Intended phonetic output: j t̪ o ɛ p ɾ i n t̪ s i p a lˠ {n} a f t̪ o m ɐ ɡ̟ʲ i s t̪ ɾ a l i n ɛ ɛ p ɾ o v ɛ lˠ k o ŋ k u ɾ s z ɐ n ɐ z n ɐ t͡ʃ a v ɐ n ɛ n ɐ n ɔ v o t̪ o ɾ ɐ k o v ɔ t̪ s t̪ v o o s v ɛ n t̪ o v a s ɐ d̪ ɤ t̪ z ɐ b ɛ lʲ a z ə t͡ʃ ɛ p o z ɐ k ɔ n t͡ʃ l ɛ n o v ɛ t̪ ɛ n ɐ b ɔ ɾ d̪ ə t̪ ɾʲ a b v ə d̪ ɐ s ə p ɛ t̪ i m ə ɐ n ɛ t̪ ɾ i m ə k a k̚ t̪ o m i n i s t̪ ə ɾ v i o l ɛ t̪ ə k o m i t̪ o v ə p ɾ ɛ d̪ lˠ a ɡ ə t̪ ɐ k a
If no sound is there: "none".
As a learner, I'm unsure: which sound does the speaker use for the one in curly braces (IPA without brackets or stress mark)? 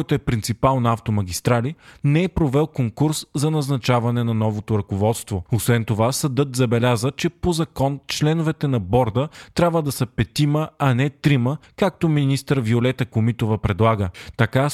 n